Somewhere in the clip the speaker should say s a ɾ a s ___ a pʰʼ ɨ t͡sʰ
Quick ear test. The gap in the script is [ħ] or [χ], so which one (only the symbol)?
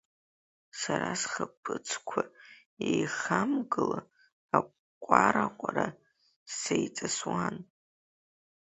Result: χ